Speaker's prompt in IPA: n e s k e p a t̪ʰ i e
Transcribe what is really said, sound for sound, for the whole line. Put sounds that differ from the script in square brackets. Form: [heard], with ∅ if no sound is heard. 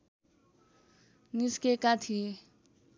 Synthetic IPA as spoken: n [i] s k e [k] a t̪ʰ i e